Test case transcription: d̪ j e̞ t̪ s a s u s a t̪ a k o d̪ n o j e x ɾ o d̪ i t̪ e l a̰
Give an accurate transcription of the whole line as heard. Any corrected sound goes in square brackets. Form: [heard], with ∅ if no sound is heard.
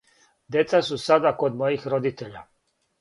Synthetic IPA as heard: d̪ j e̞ t̪ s a s u s a [d̪] a k o d̪ [m] o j [i] x ɾ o d̪ i t̪ e [ʎ] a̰